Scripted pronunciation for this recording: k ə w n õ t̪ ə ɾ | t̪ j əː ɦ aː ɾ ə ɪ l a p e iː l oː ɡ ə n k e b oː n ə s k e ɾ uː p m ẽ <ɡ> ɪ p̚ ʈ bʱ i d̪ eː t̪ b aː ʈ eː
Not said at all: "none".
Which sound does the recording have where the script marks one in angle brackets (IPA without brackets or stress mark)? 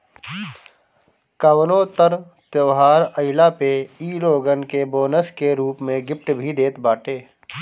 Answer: ɡ